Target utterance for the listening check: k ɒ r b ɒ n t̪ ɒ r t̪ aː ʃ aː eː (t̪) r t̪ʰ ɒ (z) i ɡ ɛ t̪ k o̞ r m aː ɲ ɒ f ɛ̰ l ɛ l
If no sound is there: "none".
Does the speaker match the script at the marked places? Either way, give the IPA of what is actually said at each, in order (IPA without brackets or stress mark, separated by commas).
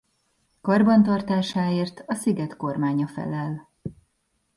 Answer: none, s